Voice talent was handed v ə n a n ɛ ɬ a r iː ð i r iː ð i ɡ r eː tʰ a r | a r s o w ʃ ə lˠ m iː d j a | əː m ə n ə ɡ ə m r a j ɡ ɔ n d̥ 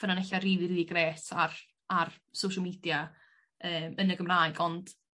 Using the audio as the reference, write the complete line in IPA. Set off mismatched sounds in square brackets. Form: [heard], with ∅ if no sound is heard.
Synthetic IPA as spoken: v ə n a n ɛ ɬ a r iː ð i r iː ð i ɡ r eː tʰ a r | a r s o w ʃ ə lˠ m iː d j a | əː m ə n ə ɡ ə m r a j ɡ ɔ n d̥